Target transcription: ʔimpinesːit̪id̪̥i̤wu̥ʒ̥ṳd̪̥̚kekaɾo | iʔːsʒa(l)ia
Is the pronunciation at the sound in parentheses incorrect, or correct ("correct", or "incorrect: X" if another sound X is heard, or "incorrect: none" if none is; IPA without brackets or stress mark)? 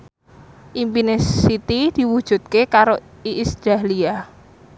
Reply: correct